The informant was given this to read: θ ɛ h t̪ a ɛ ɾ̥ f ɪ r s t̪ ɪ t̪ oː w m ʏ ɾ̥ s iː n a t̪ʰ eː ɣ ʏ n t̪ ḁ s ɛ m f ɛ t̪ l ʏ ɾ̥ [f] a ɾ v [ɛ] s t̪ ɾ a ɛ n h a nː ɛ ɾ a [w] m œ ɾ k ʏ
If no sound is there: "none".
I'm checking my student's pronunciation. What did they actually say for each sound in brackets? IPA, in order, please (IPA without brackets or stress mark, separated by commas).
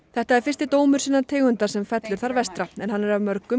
θ, ɛ, v